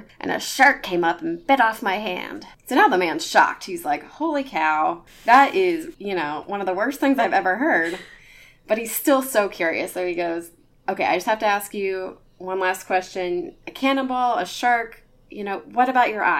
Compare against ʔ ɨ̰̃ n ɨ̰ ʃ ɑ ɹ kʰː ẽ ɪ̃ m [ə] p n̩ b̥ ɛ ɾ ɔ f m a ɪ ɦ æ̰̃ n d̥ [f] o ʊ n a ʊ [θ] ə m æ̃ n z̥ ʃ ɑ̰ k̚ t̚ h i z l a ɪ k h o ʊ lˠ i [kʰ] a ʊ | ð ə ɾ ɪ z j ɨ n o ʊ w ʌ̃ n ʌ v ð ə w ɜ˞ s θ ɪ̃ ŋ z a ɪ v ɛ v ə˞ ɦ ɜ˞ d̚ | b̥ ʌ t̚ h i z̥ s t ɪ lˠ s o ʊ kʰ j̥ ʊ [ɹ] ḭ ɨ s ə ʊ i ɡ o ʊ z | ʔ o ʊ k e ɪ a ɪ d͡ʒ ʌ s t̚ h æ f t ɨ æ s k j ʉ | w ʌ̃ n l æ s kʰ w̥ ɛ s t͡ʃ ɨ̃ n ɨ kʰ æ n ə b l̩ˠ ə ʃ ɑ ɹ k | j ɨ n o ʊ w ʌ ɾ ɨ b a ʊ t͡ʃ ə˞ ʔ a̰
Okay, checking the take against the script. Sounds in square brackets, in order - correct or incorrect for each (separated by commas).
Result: incorrect, incorrect, incorrect, correct, correct